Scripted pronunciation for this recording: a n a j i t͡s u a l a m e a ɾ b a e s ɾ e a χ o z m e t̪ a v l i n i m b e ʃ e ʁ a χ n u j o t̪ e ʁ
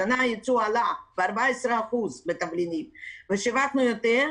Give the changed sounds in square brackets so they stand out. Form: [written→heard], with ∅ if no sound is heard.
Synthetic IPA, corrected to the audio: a n a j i t͡s u a l a [m→b] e a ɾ b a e s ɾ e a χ [o→u] z [m→b] e t̪ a v l i n i m [b→v] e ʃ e [ʁ→v] a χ n u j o t̪ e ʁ